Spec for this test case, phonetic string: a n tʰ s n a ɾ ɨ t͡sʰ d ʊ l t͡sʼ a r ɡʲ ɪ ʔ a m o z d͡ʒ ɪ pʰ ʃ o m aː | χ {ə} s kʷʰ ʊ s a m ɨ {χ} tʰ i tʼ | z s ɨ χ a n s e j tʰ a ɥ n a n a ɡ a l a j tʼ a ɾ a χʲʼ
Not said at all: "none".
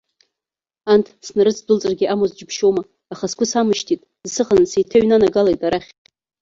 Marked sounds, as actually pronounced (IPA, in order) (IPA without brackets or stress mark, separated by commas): a, ʃ